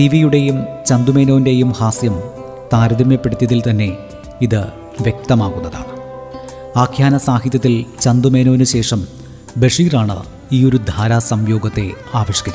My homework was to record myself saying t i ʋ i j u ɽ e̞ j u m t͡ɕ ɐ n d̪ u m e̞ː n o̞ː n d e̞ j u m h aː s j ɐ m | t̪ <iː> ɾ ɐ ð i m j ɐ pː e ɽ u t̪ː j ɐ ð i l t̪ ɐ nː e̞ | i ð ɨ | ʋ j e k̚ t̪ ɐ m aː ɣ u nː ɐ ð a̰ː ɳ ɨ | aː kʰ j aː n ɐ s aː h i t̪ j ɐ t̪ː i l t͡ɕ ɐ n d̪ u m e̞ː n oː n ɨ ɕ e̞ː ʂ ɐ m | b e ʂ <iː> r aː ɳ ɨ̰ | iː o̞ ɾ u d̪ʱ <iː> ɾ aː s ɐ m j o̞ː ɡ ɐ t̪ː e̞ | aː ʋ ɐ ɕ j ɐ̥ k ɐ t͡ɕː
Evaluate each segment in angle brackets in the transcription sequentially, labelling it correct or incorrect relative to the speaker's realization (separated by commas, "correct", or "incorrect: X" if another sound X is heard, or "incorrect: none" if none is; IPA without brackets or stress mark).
incorrect: aː, correct, incorrect: aː